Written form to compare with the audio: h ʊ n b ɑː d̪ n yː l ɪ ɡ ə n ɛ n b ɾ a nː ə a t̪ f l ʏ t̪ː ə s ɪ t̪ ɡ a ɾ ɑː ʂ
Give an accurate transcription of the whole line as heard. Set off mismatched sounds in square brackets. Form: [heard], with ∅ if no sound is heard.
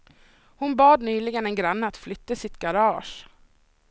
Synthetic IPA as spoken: h ʊ n b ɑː d̪ n yː l ɪ ɡ ə n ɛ n [ɡ] ɾ a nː ə a t̪ f l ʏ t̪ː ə s ɪ t̪ ɡ a ɾ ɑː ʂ